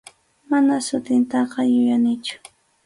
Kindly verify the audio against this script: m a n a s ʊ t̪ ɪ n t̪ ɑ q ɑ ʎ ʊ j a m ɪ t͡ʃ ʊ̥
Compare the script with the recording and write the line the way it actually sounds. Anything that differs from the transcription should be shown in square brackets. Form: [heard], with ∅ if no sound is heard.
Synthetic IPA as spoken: m a n a s ʊ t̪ ɪ n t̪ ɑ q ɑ [j] ʊ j a [n] ɪ t͡ʃ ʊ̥